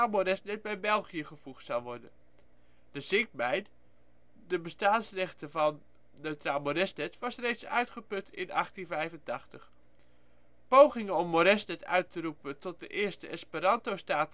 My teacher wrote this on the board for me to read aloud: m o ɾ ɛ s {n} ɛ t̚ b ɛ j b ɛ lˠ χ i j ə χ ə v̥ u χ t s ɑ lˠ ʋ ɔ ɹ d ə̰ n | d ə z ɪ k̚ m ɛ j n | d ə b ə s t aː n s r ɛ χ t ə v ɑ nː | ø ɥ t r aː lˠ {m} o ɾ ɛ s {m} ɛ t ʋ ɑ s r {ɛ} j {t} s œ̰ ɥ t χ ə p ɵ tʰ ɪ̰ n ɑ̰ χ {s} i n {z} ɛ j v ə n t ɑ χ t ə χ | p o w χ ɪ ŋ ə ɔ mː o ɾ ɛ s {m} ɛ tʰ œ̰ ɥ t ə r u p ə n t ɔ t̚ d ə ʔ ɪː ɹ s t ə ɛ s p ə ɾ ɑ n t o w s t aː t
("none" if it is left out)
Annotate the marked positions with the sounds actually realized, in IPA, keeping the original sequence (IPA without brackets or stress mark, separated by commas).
n, m, n, e, t, t, v, n